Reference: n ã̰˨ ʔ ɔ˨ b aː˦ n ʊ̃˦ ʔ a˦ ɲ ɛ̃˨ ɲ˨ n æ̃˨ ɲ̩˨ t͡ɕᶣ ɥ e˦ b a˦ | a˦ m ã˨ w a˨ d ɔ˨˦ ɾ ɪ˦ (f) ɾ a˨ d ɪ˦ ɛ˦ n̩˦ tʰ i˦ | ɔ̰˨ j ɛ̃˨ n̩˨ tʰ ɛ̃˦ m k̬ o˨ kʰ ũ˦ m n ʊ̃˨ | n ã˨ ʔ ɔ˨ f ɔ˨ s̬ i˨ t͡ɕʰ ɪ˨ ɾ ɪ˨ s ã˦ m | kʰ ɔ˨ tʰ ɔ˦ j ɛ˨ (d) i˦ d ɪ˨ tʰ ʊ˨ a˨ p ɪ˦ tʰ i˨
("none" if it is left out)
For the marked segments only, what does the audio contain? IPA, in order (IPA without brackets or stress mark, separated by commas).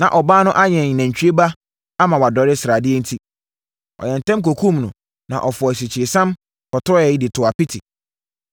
s, none